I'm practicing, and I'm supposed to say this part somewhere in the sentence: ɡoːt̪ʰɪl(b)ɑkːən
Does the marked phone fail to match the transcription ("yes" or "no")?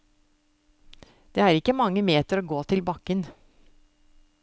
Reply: no